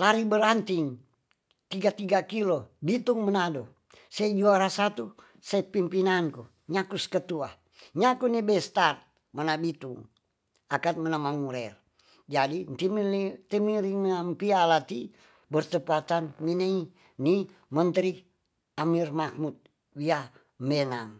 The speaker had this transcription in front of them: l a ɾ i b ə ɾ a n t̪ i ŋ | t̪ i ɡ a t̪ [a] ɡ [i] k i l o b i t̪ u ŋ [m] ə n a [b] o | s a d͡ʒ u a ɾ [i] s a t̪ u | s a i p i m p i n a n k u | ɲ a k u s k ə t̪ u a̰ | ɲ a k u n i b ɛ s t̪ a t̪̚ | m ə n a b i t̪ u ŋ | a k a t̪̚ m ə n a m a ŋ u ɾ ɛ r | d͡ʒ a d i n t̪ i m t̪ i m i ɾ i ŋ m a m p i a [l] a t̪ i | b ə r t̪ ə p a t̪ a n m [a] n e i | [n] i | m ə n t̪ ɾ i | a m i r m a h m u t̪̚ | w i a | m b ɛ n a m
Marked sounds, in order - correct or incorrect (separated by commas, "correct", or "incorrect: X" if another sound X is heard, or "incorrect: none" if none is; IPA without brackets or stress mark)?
incorrect: i, incorrect: a, correct, incorrect: d, incorrect: a, correct, incorrect: i, correct